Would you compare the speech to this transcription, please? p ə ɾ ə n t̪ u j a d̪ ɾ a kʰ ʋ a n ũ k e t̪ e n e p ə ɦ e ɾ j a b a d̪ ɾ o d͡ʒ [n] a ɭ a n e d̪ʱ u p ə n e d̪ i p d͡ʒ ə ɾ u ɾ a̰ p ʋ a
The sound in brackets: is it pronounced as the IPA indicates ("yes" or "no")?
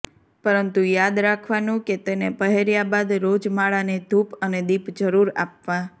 no